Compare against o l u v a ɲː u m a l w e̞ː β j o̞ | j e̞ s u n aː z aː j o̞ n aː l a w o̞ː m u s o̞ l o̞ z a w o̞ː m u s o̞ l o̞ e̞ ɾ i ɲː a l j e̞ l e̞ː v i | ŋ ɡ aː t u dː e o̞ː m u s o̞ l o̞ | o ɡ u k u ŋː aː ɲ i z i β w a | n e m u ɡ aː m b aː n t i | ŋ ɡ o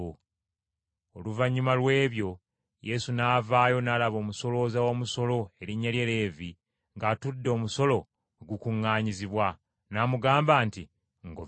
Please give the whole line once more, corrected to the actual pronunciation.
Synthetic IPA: o l u v a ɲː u m a l w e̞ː β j o̞ | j e̞ s u n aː v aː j o̞ n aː l a β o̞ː m u s o̞ l o̞ z a w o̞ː m u s o̞ l o̞ e̞ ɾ i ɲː a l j e̞ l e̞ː v i | ŋ ɡ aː t u dː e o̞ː m u s o̞ l o̞ | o ɡ u k u ŋː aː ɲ i z i β w a | n a m u ɡ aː m b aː n t i | ŋ ɡ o